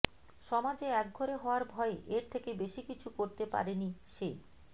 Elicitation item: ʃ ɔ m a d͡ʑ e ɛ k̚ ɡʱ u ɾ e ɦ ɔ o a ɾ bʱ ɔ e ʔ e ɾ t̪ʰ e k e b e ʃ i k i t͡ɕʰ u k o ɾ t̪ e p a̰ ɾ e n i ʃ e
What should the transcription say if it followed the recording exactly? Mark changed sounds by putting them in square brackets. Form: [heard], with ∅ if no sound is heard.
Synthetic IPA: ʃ ɔ m a d͡ʑ e ɛ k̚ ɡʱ [o] ɾ e ɦ ɔ o a ɾ bʱ ɔ e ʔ e ɾ t̪ʰ e k e b e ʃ i k i t͡ɕʰ u k o ɾ t̪ e p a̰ ɾ e n i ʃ e

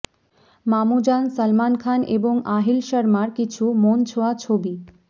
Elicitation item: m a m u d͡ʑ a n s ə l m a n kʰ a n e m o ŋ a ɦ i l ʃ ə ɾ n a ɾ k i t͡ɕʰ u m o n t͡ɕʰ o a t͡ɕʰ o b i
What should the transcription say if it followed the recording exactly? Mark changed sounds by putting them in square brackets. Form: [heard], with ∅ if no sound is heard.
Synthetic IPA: m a m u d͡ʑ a n s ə l m a n kʰ a n e [b] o ŋ a ɦ i l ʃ ə ɾ [m] a ɾ k i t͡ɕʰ u m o n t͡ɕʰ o a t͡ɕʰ o b i

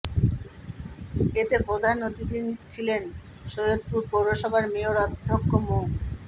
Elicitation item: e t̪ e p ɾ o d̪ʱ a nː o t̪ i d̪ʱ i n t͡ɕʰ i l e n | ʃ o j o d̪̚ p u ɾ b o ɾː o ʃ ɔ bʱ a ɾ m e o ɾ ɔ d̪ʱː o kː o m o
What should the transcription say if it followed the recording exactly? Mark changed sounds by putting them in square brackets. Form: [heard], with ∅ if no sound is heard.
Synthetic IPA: e t̪ e p ɾ o d̪ʱ a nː o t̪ i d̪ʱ i n t͡ɕʰ i l e n | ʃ o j o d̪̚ p u ɾ [p] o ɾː o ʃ ɔ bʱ a ɾ m e o ɾ ɔ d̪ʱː o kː o m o

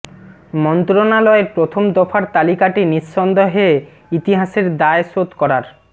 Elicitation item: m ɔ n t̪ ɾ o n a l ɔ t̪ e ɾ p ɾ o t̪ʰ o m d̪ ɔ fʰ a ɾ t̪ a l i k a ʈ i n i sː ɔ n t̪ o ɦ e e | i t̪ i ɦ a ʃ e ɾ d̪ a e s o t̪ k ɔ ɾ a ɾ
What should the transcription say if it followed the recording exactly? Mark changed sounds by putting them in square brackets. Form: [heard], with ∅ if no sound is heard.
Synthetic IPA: m ɔ n t̪ ɾ o n a l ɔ [∅] e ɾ p ɾ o t̪ʰ o m d̪ ɔ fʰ a ɾ t̪ a l i k a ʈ i n i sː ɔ n [d̪] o ɦ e e | i t̪ i ɦ a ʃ e ɾ d̪ a e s o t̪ k ɔ ɾ a ɾ

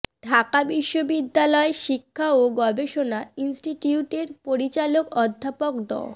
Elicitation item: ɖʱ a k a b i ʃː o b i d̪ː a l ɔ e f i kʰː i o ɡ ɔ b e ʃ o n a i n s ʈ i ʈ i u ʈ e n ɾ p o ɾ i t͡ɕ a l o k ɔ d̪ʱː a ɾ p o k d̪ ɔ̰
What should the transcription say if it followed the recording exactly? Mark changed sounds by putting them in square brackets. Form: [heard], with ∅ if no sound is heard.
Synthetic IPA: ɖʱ a k a b i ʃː o b i d̪ː a l ɔ e [ʃ] i kʰː [a] o ɡ ɔ b e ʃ o n a i n s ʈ i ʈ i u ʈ e [∅] ɾ p o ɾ i t͡ɕ a l o k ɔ d̪ʱː a [∅] p o k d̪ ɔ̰

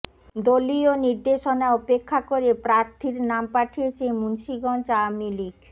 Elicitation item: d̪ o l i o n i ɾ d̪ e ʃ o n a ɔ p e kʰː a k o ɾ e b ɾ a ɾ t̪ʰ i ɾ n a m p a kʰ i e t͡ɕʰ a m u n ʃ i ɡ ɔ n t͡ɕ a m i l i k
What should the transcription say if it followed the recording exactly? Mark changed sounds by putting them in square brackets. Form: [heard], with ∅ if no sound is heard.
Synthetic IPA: d̪ o l i o n i ɾ d̪ e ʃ o n a ɔ p e kʰː a k o ɾ e [p] ɾ a ɾ t̪ʰ i ɾ n a m p a [ʈʰ] i e t͡ɕʰ [e] m u n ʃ i ɡ ɔ n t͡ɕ a m i l i k

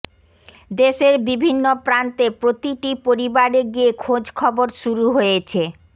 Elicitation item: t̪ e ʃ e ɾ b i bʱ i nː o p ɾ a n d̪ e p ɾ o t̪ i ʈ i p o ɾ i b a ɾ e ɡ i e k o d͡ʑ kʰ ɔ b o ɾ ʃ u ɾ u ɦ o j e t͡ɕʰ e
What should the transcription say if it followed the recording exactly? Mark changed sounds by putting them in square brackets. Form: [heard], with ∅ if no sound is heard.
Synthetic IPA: [d̪] e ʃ e ɾ b i bʱ i nː o p ɾ a n [t̪] e p ɾ o t̪ i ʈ i p o ɾ i b a ɾ e ɡ i e [kʰ] o d͡ʑ kʰ ɔ b o ɾ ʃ u ɾ u ɦ o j e t͡ɕʰ e

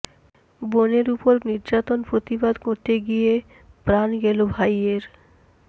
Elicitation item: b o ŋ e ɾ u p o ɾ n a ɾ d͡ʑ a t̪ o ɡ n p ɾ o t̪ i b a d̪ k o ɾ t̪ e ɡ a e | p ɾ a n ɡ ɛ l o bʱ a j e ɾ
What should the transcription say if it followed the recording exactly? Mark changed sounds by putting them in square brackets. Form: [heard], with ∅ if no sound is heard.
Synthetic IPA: b o [n] e ɾ u p o ɾ n [i] ɾ d͡ʑ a t̪ o [∅] n p ɾ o t̪ i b a d̪ k o ɾ t̪ e ɡ [i] e | p ɾ a n ɡ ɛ l o bʱ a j e ɾ

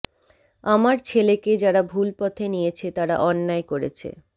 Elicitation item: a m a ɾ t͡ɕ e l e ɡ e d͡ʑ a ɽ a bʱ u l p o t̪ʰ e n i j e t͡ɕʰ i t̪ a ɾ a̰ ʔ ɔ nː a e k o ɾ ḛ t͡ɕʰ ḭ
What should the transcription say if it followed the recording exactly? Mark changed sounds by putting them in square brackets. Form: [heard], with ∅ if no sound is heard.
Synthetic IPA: a m a ɾ [t͡ɕʰ] e l e [k] e d͡ʑ a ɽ a bʱ u l p [ɔ] t̪ʰ e n i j e t͡ɕʰ [e] t̪ a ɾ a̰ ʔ ɔ nː a e k o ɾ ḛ t͡ɕʰ [ḛ]

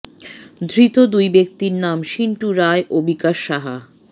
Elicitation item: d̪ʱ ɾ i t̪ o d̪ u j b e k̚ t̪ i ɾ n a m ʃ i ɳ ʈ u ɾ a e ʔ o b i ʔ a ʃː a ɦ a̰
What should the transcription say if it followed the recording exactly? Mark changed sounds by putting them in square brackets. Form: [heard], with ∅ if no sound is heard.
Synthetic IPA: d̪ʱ ɾ i t̪ o d̪ u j b e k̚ t̪ i ɾ n a m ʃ i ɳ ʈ u ɾ a e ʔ o b i [k] a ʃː a ɦ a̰

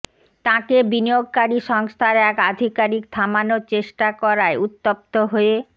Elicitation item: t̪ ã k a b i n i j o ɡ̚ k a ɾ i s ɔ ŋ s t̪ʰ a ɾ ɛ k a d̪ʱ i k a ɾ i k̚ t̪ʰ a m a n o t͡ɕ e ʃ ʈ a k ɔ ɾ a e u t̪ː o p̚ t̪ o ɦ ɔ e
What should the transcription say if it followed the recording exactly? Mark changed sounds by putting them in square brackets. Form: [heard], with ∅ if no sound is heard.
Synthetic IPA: t̪ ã k [e] b i n i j o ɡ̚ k a ɾ i [ʃ] ɔ ŋ s t̪ʰ a ɾ ɛ k a d̪ʱ i k a ɾ i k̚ t̪ʰ a m a n o t͡ɕ e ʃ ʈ a k ɔ ɾ a e u t̪ː o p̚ t̪ o ɦ [o] e

